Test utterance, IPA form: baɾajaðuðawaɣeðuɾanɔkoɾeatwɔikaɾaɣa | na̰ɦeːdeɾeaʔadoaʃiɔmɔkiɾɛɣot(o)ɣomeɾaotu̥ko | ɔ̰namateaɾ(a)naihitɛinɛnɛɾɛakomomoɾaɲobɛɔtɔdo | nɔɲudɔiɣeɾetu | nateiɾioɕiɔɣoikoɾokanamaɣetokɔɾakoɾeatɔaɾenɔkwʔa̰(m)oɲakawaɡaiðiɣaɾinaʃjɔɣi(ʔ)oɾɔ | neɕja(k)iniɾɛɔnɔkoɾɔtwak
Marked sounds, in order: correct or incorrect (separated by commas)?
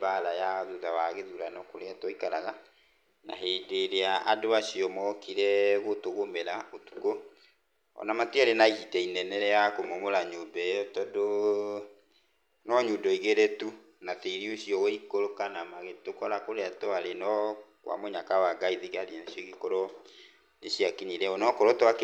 correct, incorrect, correct, incorrect, correct